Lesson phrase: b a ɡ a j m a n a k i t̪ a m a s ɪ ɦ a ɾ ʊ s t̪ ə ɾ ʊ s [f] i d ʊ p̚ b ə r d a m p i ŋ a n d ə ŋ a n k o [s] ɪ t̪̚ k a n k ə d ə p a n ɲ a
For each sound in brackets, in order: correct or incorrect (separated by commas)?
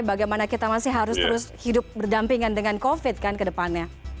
incorrect, incorrect